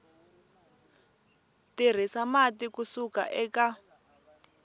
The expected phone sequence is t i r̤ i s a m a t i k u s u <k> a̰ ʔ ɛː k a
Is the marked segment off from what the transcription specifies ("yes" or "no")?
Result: no